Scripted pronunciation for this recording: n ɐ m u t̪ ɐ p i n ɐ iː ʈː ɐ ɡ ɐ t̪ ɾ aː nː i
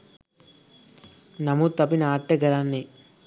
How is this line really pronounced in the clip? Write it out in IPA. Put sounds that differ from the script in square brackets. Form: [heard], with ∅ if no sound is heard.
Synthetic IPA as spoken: n ɐ m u t̪ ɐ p i n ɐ [aː] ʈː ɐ ɡ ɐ [∅] ɾ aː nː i